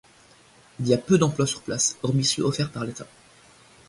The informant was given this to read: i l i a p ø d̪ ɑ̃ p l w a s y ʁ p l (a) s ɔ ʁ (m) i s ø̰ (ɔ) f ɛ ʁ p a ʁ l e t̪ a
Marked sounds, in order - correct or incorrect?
correct, correct, correct

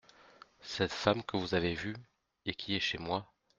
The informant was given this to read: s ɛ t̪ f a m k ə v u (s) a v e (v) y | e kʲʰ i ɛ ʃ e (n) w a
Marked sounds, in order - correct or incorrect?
incorrect: z, correct, incorrect: m

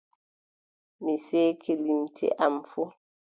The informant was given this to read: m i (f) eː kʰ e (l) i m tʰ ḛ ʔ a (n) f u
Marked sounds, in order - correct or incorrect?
incorrect: s, correct, incorrect: m

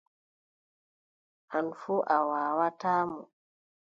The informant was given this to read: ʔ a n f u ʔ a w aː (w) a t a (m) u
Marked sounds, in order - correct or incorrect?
correct, correct

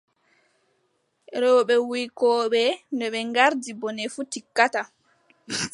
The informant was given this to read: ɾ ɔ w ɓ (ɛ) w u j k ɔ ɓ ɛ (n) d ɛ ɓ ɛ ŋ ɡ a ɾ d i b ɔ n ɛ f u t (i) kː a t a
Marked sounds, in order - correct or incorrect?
correct, correct, correct

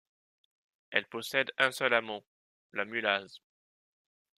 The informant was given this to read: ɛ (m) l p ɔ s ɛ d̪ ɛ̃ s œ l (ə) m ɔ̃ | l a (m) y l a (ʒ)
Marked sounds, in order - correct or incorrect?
incorrect: none, incorrect: a, correct, incorrect: z

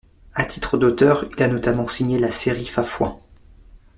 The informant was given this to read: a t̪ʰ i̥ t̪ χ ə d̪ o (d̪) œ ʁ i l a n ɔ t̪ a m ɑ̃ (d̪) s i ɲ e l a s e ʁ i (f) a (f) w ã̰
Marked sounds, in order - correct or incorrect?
incorrect: t̪, incorrect: none, correct, correct

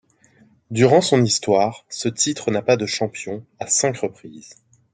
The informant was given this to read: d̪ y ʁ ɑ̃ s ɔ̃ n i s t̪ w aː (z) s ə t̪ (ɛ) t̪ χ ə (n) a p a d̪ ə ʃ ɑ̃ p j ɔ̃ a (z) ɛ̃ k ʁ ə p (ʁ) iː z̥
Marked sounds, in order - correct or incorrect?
incorrect: ʁ, incorrect: i, correct, incorrect: s, incorrect: χ

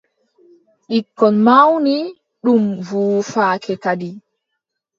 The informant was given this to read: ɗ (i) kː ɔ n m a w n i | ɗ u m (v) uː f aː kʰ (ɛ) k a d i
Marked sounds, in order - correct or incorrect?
correct, correct, correct

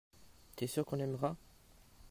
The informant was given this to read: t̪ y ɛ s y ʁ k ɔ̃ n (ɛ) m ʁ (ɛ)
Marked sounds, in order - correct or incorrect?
correct, incorrect: a

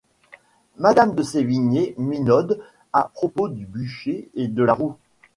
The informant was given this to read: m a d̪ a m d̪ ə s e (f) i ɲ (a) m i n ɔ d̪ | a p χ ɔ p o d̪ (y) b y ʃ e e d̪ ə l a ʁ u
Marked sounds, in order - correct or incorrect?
incorrect: v, incorrect: e, correct

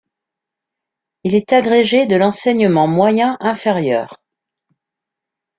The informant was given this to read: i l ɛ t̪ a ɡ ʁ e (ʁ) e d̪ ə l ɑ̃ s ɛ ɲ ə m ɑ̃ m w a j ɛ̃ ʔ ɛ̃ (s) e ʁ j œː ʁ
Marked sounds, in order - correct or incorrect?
incorrect: ʒ, incorrect: f

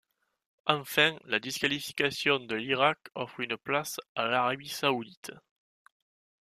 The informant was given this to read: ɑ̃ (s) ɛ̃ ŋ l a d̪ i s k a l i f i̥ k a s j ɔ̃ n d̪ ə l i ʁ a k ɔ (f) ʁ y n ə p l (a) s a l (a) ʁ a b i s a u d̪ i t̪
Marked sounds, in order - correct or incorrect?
incorrect: f, correct, correct, correct

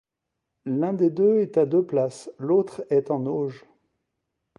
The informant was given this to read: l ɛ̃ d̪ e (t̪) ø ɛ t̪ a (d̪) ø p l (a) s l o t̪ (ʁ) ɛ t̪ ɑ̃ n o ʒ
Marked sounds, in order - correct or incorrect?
incorrect: d̪, correct, correct, incorrect: χ

